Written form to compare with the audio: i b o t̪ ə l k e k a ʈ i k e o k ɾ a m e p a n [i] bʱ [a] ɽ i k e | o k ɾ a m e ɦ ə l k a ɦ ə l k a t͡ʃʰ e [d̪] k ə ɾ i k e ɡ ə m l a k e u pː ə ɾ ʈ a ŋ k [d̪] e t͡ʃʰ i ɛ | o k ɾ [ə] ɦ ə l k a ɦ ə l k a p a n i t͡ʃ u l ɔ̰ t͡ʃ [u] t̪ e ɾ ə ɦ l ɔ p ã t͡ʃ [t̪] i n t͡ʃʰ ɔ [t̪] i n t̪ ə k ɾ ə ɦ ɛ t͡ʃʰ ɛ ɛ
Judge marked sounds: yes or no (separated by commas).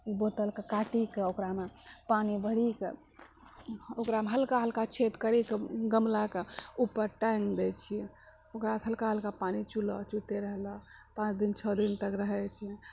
yes, no, no, yes, no, yes, no, no